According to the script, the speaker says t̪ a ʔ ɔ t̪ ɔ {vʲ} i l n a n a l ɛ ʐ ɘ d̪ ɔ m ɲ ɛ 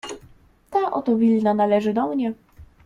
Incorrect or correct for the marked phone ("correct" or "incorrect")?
correct